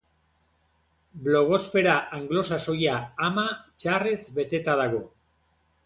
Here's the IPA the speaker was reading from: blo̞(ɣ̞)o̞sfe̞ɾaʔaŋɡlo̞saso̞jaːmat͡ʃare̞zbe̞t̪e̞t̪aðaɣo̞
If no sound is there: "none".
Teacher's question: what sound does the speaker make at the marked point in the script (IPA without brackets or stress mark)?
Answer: ɣ̞